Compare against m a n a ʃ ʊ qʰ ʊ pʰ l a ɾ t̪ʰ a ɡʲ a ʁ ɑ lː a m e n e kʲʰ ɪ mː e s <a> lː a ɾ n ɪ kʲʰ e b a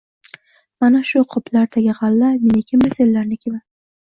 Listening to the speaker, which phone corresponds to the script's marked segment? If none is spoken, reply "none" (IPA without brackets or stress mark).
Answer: e